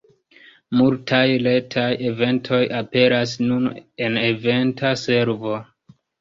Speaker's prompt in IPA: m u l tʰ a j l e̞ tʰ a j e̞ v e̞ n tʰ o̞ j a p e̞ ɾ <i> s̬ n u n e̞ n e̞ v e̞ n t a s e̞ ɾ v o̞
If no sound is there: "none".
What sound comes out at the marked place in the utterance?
a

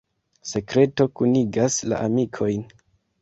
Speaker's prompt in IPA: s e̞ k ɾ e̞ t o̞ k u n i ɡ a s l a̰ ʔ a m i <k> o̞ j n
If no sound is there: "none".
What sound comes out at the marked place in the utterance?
kʰ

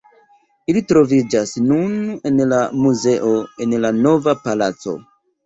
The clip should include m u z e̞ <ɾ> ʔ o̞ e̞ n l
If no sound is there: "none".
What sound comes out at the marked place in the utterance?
none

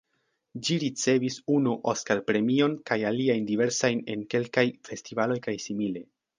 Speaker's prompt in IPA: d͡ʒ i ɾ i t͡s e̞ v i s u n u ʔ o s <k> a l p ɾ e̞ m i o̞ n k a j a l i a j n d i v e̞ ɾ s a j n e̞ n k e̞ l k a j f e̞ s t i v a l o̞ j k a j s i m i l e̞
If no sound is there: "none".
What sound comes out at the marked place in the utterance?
k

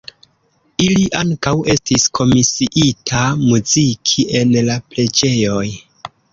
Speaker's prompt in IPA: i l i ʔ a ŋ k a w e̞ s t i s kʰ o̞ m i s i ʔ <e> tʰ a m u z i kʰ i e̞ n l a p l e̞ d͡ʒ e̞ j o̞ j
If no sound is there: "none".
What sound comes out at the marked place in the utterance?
i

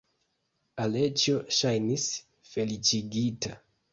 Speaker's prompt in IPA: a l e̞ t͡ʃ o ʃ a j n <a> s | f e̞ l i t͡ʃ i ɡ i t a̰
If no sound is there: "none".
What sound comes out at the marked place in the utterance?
i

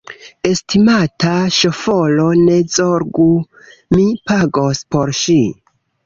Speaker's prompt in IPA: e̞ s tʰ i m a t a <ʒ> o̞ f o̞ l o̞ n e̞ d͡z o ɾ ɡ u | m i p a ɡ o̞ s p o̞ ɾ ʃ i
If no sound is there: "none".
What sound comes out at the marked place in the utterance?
ʃ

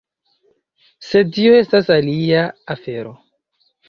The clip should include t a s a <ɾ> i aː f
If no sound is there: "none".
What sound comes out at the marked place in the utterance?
l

